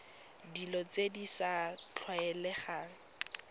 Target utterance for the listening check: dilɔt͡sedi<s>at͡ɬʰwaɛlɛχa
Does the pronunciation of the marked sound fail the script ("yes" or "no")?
no